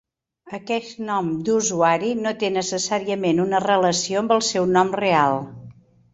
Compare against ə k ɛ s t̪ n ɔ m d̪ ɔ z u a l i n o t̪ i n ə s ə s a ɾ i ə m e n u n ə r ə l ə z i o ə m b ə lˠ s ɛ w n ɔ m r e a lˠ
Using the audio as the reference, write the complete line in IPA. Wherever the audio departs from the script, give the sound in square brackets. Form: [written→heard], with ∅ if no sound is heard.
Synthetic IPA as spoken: ə k ɛ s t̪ n ɔ m d̪ [ɔ→u] z u a [l→ɾ] i n o t̪ [i→e] n ə s ə s a ɾ i ə m e n u n ə r ə l ə [z→s] i o ə m b ə lˠ s ɛ w n ɔ m r e a lˠ